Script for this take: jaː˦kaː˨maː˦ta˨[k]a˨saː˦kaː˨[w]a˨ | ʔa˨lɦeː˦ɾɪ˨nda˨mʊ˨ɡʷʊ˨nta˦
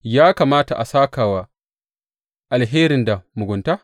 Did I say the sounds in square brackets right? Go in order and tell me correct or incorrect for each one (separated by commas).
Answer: incorrect, correct